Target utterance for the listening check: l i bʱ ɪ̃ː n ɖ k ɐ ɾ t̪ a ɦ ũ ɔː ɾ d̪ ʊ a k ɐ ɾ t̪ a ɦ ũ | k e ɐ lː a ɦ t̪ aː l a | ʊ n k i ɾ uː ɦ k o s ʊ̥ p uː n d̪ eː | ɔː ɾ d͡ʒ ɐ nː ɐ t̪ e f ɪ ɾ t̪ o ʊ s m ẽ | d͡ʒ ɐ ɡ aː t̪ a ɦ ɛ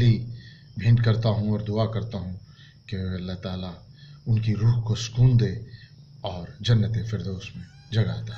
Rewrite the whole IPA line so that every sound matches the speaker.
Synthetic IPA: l i bʱ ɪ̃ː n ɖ k ɐ ɾ t̪ a ɦ ũ ɔː ɾ d̪ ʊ a k ɐ ɾ t̪ a ɦ ũ | k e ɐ lː a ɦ t̪ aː l a | ʊ n k i ɾ uː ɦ k o s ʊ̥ k uː n d̪ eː | ɔː ɾ d͡ʒ ɐ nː ə t̪ e f ɪ ɾ d̪ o ʊ s m ẽ | d͡ʒ ɐ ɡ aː t̪ a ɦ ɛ